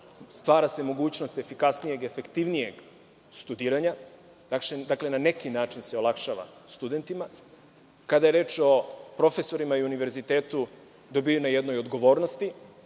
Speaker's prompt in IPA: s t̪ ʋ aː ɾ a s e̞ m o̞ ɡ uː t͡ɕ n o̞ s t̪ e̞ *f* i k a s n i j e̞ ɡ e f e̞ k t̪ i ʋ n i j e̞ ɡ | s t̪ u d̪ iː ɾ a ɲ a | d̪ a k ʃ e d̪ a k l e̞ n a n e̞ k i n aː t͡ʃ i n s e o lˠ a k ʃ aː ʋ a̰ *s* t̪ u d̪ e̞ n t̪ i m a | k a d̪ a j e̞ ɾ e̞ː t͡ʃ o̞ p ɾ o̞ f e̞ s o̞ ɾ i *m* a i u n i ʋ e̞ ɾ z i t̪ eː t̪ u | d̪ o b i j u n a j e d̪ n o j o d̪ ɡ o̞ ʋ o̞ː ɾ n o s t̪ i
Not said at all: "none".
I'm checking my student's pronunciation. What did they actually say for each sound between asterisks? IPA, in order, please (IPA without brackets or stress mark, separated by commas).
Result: f, s, m